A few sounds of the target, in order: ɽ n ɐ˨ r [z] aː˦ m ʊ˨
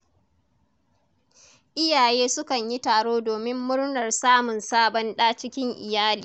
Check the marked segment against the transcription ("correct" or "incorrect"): incorrect